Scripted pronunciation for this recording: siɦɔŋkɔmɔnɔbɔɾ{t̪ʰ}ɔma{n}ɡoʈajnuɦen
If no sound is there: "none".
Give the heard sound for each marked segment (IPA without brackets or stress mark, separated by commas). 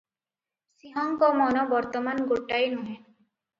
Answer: t̪, n